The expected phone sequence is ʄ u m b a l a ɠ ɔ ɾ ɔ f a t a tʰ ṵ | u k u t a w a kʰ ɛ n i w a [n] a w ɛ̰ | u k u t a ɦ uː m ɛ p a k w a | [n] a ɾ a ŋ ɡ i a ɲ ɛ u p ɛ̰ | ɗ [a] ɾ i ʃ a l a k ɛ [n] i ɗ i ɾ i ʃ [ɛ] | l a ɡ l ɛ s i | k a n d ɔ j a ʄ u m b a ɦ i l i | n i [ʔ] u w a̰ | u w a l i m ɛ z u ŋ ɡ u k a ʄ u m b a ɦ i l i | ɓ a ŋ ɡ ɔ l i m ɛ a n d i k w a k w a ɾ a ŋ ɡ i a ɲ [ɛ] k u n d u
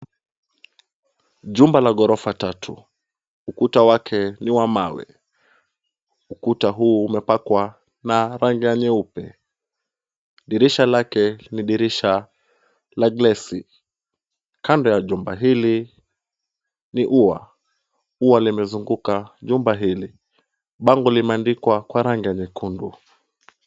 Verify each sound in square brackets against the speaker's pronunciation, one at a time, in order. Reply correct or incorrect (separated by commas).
incorrect, correct, incorrect, correct, incorrect, correct, correct